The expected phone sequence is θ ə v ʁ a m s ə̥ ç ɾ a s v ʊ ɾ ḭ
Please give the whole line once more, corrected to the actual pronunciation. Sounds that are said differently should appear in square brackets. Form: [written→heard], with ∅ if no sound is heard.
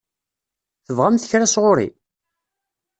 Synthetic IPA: θ ə v ʁ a m [s→θ] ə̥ ç ɾ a s [v→ʁ] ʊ ɾ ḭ